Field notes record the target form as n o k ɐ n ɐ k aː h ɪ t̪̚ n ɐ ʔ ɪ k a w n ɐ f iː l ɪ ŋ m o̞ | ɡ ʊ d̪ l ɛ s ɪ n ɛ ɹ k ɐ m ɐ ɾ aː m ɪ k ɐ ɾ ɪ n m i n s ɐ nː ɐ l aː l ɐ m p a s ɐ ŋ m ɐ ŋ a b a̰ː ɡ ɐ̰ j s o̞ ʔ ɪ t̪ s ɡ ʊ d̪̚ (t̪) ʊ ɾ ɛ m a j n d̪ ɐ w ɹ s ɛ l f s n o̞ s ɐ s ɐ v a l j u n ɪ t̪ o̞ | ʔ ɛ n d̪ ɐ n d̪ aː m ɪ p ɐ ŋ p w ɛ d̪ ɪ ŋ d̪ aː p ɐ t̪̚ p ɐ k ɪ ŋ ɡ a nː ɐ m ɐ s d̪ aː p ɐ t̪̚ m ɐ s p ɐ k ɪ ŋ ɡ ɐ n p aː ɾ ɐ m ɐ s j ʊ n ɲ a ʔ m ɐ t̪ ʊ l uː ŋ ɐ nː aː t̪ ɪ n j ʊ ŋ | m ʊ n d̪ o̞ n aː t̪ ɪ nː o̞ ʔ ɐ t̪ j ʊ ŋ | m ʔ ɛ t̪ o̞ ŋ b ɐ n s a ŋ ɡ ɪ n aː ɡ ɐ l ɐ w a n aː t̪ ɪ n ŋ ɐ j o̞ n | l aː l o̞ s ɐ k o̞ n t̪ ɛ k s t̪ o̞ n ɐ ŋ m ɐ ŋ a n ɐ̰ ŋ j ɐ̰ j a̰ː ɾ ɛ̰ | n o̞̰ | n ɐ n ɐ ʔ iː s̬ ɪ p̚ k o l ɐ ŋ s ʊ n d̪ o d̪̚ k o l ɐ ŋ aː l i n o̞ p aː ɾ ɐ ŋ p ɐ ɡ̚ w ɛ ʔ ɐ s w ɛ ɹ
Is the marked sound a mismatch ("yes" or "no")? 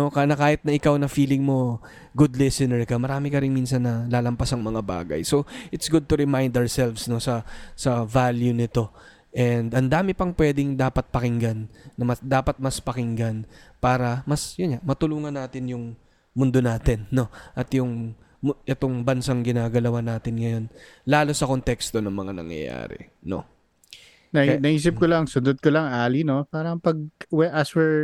no